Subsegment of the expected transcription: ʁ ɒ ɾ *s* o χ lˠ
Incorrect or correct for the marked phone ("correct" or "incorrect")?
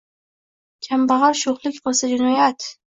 incorrect